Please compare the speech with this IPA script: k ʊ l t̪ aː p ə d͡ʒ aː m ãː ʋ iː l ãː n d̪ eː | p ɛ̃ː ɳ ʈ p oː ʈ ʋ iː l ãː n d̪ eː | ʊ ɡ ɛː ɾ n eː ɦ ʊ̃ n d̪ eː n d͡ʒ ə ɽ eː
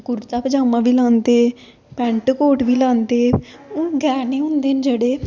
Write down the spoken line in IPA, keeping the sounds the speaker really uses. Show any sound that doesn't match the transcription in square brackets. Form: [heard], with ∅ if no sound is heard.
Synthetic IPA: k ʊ [ɾ] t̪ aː p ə d͡ʒ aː m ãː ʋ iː l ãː n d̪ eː | p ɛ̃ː ɳ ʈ [k] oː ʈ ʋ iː l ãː n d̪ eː | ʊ ɡ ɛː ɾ n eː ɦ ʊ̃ n d̪ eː n d͡ʒ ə ɽ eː